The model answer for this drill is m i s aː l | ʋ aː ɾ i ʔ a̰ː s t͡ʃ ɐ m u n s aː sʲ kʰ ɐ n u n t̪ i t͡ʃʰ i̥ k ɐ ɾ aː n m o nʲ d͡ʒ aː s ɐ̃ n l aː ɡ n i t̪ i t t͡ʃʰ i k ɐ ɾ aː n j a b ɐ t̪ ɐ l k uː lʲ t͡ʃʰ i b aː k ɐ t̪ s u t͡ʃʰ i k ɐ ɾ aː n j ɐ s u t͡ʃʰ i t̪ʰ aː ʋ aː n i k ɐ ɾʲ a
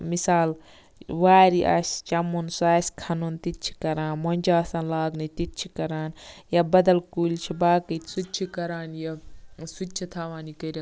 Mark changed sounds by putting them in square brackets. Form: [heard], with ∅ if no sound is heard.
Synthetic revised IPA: m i s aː l | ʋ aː ɾ i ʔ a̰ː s t͡ʃ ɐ m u n s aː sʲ kʰ ɐ n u n t̪ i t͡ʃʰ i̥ k ɐ ɾ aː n m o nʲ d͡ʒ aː s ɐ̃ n l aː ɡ n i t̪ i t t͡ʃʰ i k ɐ ɾ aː n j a b ɐ [d̪] ɐ l k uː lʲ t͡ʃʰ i b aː k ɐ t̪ s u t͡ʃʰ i k ɐ ɾ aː n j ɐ s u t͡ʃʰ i t̪ʰ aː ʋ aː n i k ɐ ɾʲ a